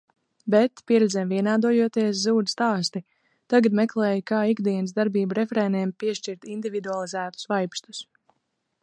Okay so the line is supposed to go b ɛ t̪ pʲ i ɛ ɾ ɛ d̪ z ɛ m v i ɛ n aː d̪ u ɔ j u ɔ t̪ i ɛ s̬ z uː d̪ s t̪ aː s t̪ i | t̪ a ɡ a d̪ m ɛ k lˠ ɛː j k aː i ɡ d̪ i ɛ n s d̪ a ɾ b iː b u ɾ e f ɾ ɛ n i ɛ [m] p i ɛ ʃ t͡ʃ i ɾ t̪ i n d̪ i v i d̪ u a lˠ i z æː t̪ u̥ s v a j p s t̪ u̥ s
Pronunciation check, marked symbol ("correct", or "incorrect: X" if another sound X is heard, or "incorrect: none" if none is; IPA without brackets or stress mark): correct